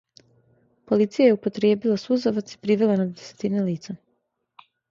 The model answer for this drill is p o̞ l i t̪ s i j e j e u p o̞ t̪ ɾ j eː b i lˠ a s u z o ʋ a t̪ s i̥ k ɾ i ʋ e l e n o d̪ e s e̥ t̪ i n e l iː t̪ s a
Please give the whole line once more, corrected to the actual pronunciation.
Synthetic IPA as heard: p o̞ l i t̪ s i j a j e u p o̞ t̪ ɾ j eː b i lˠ a s u z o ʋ a t̪ s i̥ p ɾ i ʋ e l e n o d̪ e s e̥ t̪ i n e l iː t̪ s a